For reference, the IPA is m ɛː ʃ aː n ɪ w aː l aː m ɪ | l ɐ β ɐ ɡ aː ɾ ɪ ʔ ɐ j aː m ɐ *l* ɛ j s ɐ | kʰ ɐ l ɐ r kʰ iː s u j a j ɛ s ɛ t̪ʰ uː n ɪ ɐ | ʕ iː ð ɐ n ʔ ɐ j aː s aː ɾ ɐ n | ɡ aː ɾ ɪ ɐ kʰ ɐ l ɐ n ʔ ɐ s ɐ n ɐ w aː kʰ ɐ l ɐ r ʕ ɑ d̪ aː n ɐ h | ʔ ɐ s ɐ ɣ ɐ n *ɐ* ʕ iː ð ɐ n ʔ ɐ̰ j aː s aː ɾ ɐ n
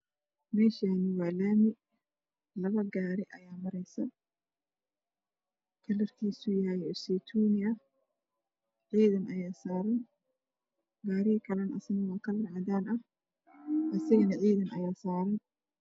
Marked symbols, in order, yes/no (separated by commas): no, yes